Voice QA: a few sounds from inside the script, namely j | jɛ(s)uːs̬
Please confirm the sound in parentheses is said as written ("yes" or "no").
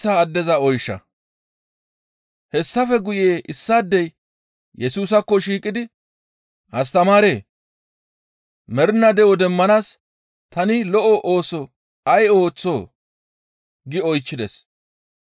yes